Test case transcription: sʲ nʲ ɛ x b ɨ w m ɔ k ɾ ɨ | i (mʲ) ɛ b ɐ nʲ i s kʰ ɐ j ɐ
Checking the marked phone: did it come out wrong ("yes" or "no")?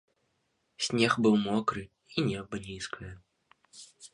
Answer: yes